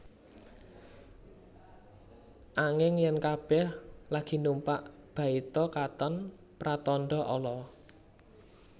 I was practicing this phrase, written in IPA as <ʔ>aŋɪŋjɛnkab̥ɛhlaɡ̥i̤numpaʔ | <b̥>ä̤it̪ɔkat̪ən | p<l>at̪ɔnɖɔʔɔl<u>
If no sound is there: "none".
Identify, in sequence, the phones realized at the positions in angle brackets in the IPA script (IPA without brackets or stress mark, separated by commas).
ʔ, b̥, ɾ, ɔ